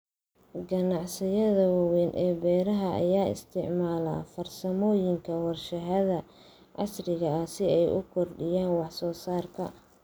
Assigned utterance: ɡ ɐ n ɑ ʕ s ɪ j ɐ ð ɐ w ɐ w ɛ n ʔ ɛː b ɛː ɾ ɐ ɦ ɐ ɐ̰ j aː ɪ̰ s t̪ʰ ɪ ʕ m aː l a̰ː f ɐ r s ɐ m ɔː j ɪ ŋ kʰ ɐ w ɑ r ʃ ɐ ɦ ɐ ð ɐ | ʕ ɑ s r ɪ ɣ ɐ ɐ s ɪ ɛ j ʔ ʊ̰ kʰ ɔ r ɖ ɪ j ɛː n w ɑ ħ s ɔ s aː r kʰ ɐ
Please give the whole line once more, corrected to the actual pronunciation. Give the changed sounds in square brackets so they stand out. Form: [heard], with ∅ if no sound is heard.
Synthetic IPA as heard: ɡ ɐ n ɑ ʕ s ɪ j ɐ ð ɐ w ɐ w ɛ n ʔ ɛː b ɛː ɾ ɐ ɦ ɐ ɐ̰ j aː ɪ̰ s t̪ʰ ɪ ʕ m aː l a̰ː f ɐ r s ɐ m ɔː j ɪ ŋ kʰ ɐ w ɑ r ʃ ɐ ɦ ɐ ð ɐ | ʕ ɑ s r ɪ ɣ ɐ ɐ s ɪ ɛ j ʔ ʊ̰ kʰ ɔ r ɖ ɪ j [aː] n w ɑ ħ s [ɔː] s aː r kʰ ɐ